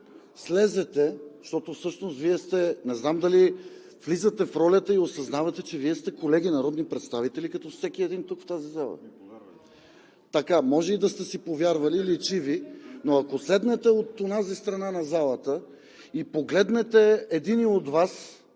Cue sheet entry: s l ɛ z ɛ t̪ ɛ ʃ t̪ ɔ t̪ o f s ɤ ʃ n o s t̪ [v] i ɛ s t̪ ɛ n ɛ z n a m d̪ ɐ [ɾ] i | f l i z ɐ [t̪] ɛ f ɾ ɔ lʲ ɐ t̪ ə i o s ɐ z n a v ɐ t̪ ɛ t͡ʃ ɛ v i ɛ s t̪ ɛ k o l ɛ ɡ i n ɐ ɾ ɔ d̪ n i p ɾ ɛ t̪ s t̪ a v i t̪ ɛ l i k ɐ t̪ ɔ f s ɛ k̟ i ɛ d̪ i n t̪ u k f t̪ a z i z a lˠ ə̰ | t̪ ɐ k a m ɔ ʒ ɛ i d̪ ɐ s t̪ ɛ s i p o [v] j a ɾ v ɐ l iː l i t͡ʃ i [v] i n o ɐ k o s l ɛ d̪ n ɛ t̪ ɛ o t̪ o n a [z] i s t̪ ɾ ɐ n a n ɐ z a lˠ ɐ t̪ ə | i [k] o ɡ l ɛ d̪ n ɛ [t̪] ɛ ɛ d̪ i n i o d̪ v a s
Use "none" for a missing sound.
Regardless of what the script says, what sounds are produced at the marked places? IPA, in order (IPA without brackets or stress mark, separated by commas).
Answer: v, l, t̪, v, v, z, p, t̪